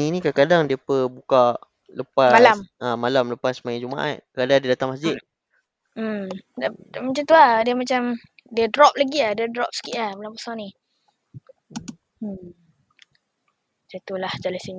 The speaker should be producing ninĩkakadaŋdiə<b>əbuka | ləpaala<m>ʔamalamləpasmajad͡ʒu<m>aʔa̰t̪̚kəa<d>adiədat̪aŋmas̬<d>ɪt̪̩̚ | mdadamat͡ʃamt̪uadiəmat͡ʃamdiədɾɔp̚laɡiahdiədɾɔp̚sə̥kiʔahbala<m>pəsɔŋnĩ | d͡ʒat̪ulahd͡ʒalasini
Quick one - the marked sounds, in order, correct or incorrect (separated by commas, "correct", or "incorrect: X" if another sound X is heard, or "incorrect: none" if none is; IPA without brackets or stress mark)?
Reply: incorrect: p, correct, correct, correct, incorrect: d͡ʒ, correct